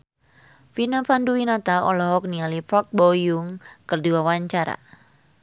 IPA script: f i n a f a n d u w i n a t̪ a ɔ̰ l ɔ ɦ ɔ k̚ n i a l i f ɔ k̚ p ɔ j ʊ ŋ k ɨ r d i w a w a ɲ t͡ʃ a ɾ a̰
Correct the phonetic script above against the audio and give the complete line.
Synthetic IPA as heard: f i n a f a n d u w i n a t̪ a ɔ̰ l ɔ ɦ ɔ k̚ n i a l i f ɔ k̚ b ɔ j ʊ ŋ k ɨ r d i w a w a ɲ t͡ʃ a ɾ a̰